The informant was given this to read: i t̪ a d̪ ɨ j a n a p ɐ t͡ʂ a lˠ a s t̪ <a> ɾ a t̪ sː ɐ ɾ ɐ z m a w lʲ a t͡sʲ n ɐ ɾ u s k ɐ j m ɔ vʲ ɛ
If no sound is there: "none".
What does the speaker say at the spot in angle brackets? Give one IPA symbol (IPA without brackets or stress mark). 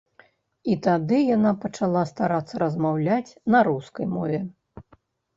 a